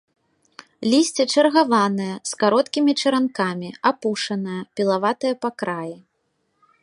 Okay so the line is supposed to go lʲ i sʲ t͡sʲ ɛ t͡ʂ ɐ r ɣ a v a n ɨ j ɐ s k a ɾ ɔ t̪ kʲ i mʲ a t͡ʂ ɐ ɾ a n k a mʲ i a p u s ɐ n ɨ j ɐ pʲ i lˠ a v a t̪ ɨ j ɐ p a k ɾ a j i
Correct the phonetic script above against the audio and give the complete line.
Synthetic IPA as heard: lʲ i sʲ t͡sʲ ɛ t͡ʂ ɐ r ɣ a v a n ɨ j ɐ s k a ɾ ɔ t̪ kʲ i mʲ i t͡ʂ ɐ ɾ a n k a mʲ i a p u ʂ ɐ n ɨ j ɐ pʲ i lˠ a v a t̪ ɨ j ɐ p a k ɾ a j i